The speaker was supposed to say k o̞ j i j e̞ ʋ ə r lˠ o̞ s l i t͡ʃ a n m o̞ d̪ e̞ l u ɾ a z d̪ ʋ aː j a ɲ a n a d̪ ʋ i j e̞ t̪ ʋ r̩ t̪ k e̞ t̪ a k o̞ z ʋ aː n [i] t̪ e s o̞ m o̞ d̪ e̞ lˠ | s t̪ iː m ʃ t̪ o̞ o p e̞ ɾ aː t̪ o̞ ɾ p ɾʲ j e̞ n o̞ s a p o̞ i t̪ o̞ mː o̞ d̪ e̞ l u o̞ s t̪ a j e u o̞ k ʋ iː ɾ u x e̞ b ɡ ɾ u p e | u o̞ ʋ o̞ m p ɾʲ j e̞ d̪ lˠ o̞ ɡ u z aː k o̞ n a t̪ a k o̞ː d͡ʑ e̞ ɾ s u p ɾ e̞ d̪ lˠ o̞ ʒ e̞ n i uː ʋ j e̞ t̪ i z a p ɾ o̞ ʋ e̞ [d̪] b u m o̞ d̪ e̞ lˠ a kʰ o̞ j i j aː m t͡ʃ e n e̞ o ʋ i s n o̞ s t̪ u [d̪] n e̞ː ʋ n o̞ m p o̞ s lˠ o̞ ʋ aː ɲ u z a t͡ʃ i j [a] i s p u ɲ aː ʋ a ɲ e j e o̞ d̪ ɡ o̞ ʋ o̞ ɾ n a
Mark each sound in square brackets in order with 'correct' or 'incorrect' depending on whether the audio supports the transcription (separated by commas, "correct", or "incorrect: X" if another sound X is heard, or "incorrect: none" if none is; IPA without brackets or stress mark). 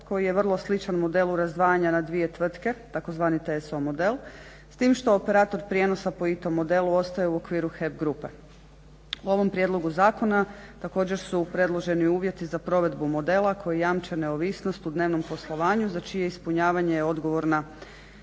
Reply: correct, correct, correct, incorrect: e